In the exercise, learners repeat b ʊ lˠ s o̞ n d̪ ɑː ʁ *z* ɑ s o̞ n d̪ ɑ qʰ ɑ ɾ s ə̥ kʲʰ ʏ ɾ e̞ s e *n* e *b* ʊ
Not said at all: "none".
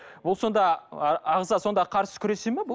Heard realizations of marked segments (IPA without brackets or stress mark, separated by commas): z, m, b